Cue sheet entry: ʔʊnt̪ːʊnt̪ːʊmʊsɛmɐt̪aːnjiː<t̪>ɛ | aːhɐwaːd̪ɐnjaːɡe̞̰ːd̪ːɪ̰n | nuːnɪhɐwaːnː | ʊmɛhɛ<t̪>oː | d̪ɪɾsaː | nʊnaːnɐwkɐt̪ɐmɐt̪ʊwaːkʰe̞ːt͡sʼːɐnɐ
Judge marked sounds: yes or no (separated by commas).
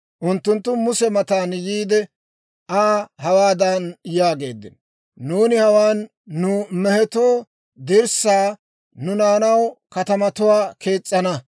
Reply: no, yes